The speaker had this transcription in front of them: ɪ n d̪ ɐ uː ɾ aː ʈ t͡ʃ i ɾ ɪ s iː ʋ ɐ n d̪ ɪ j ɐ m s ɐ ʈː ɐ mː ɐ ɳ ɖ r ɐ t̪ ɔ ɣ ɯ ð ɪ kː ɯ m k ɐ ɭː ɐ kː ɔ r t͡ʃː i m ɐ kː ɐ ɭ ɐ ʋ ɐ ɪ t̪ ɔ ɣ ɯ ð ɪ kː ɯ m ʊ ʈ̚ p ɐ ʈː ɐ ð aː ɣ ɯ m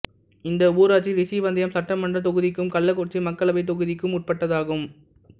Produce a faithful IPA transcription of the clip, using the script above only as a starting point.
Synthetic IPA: ɪ n d̪ ɐ uː ɾ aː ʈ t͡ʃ i ɾ ɪ s iː ʋ ɐ n d̪ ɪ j ɐ m s ɐ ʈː ɐ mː ɐ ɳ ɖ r ɐ t̪ ɔ ɣ ɯ ð ɪ kː ɯ m k ɐ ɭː ɐ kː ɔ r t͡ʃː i m ɐ kː ɐ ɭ ɐ ʋ ɐ ɪ t̪ ɔ ɣ ɯ ð ɪ kː ɯ m ʊ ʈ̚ p ɐ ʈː ɐ ð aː ɣ ɯ m